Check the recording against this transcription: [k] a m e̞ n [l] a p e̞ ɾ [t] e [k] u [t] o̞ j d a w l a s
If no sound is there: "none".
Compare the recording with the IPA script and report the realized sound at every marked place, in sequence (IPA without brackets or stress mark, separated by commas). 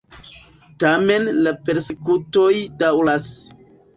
t, l, s, k, t